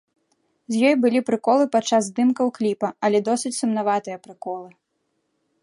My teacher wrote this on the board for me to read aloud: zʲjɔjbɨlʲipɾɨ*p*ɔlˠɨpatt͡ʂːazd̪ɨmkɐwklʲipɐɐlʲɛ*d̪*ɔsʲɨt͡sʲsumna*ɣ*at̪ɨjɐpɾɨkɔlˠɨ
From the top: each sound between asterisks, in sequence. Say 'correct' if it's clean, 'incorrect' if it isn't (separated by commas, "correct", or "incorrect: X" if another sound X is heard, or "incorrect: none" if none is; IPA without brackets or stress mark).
incorrect: k, correct, incorrect: v